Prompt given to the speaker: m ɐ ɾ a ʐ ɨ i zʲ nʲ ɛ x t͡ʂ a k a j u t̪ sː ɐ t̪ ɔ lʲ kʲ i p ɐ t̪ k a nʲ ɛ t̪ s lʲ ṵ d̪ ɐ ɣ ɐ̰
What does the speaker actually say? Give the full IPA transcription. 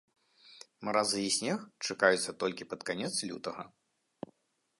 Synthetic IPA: m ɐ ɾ a z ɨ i sʲ nʲ ɛ x t͡ʂ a k a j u t̪ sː ɐ t̪ ɔ lʲ kʲ i p ɐ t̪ k a nʲ ɛ t̪ s lʲ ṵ t̪ ɐ ɣ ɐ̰